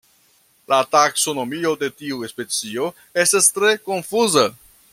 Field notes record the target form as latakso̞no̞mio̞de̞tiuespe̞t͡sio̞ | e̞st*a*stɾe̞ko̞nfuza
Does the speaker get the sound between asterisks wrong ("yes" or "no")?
no